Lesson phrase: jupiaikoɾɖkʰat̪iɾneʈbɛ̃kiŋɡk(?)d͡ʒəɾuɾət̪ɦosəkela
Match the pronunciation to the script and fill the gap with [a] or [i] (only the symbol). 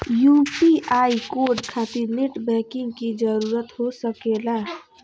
i